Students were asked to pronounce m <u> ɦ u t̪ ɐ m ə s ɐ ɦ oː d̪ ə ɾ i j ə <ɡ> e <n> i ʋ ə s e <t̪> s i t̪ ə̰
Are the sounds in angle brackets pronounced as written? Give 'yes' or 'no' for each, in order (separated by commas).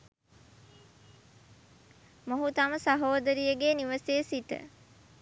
no, yes, yes, no